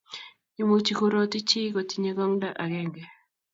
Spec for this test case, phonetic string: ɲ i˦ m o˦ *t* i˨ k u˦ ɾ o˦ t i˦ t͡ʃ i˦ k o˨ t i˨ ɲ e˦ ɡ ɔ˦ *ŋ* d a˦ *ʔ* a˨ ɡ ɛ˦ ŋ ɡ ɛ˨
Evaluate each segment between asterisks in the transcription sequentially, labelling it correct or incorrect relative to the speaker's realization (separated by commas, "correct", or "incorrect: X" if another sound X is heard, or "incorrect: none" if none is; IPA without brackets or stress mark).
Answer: incorrect: t͡ʃ, correct, correct